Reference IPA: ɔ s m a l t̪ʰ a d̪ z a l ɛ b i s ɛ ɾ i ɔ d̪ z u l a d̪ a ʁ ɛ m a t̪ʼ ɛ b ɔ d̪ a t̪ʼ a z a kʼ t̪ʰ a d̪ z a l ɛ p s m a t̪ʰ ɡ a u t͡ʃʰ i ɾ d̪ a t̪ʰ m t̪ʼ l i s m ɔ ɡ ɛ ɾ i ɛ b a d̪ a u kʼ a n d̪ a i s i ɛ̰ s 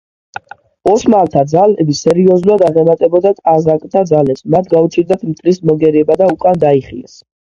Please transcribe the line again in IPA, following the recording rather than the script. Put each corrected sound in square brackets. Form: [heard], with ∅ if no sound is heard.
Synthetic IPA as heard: ɔ s m a l t̪ʰ a d̪ z a l ɛ b i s ɛ ɾ i ɔ [∅] z u l a d̪ a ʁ ɛ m a t̪ʼ ɛ b ɔ d̪ a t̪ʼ a z a kʼ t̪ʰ a d̪ z a l ɛ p s m a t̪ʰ ɡ a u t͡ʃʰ i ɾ d̪ a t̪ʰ m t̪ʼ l i s m ɔ ɡ ɛ ɾ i ɛ b a d̪ a u kʼ a n d̪ a i [χ] i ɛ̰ s